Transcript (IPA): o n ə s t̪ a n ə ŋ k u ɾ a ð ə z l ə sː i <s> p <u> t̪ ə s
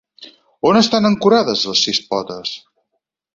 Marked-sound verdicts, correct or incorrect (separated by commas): correct, incorrect